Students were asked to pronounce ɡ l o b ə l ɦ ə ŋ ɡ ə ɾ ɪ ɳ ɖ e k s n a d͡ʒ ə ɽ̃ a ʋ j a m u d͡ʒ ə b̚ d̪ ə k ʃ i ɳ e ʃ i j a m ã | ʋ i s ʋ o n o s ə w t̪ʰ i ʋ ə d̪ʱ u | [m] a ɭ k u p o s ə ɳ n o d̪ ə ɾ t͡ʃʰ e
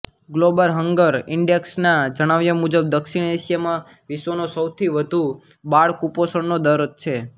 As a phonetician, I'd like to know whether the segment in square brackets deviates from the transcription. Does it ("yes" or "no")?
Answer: yes